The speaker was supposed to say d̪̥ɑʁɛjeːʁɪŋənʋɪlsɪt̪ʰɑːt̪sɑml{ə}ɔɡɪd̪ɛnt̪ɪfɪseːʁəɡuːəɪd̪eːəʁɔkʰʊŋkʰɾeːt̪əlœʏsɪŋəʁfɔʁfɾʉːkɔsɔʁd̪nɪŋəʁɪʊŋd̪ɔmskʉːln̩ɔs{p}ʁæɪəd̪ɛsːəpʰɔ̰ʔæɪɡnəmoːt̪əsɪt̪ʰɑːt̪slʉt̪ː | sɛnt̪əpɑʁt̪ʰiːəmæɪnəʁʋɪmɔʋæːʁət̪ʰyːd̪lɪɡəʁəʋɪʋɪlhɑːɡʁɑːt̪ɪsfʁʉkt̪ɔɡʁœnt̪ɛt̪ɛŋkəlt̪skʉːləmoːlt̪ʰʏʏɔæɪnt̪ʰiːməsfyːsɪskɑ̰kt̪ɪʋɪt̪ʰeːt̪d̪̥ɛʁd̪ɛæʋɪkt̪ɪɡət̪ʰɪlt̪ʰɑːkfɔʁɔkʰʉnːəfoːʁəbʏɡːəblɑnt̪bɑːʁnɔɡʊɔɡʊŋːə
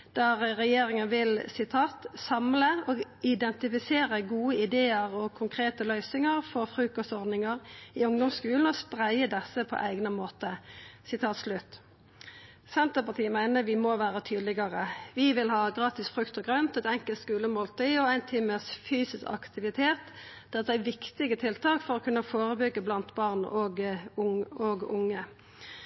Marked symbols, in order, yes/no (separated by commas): yes, yes